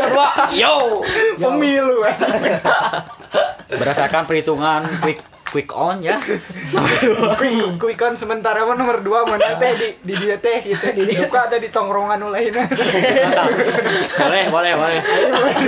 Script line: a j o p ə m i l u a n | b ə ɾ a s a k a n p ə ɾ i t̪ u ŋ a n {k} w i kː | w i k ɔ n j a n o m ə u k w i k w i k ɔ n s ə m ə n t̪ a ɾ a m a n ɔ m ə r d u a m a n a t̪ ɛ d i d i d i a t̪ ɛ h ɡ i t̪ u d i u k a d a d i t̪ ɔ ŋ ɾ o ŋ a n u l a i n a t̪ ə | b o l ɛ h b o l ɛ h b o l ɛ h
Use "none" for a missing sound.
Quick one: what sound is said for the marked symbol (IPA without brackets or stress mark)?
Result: k